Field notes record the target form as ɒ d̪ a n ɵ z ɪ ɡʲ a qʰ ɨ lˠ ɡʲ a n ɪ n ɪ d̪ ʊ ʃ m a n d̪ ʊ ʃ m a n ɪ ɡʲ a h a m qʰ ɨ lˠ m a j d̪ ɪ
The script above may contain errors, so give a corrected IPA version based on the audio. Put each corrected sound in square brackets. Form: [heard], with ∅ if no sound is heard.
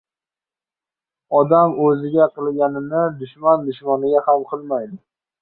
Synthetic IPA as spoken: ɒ d̪ a [m] ɵ z ɪ ɡʲ a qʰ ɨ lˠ ɡʲ a n ɪ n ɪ d̪ ʊ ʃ m a n d̪ ʊ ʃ m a n ɪ ɡʲ a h a m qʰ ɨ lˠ m a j d̪ ɪ